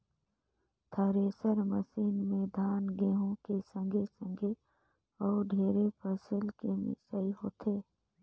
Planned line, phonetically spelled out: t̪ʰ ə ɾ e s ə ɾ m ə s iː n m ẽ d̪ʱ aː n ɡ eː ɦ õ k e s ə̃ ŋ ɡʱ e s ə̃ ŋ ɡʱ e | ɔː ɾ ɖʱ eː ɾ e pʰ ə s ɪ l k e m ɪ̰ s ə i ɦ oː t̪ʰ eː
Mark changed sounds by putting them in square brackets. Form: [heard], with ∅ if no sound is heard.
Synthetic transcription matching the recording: t̪ʰ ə ɾ e s ə ɾ m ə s iː n m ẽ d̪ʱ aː n ɡ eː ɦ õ k e s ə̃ ŋ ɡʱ e s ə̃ ŋ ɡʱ e | ɔː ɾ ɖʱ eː ɾ e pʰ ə s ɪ l k e m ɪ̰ s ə i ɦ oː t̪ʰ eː